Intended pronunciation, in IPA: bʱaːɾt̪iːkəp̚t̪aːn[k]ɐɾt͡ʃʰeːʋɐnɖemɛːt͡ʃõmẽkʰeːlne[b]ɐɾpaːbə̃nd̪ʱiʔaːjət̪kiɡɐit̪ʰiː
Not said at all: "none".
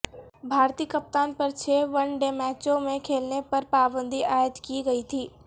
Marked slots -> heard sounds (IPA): p, p

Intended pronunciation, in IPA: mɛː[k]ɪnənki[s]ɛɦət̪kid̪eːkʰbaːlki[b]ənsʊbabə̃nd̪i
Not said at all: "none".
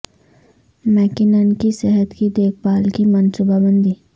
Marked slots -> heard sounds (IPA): k, s, m

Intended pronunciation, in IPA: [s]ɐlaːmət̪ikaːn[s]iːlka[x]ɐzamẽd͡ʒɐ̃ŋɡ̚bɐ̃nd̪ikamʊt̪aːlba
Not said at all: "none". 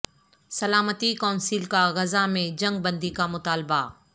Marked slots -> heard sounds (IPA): s, s, ɣ

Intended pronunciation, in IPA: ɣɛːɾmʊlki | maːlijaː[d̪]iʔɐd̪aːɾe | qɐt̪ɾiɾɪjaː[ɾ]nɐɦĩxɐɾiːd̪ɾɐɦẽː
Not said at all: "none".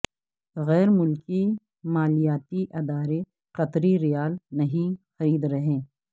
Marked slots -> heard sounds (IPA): t̪, l

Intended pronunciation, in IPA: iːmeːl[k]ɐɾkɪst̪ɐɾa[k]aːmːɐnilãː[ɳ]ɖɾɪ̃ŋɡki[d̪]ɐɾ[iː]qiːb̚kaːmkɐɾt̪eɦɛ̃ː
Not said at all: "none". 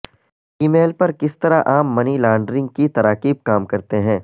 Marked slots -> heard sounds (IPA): p, ʔ, ɳ, t̪, aː

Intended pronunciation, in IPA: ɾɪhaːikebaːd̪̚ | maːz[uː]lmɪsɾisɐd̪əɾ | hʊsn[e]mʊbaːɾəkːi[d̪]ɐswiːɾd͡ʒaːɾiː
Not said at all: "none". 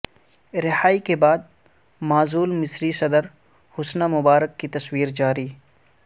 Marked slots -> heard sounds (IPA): uː, a, t̪

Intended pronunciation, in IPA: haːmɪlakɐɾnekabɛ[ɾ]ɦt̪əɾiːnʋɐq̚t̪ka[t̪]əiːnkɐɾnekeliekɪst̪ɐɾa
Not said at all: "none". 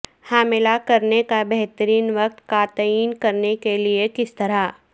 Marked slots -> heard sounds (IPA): none, t̪

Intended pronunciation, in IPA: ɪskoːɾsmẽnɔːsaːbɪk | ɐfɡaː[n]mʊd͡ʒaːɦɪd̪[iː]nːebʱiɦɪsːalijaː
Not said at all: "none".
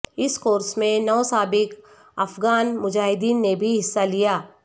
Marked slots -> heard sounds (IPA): n, iː

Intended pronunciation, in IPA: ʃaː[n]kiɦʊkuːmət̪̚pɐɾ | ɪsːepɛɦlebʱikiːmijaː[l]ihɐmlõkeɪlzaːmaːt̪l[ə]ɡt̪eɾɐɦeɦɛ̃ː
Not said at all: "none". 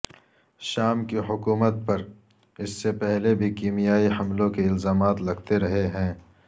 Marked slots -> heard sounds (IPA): m, none, ɐ

